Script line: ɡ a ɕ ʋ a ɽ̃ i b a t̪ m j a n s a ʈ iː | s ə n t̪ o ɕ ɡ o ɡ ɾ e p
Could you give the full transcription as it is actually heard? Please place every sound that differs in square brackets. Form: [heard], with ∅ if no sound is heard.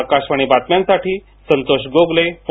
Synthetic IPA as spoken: [k] a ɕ ʋ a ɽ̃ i b a t̪ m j a n s a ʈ iː | s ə n t̪ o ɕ ɡ o ɡ [l] e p